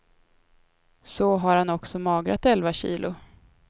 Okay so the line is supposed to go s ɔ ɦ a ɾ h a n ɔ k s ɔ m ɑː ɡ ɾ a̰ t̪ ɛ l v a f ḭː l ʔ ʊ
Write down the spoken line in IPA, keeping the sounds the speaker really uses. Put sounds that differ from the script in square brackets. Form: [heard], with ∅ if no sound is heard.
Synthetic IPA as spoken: s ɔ ɦ a ɾ h a n ɔ k s ɔ m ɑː ɡ ɾ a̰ t̪ ɛ l v a [ɕ] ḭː l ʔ ʊ